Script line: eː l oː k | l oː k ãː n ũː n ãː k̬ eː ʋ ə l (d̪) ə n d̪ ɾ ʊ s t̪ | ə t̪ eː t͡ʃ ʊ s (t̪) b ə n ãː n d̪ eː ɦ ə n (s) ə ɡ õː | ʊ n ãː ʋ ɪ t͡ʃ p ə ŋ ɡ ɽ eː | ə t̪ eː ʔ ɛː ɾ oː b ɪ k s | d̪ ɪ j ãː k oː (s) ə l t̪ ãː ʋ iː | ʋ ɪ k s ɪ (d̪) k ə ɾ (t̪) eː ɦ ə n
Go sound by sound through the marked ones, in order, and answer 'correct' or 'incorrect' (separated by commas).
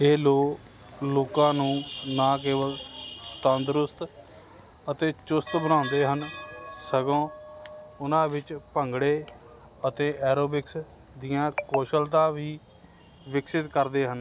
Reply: incorrect, correct, correct, incorrect, incorrect, incorrect